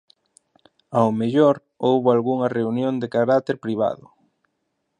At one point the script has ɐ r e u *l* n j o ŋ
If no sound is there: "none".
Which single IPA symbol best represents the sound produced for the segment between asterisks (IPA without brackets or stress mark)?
none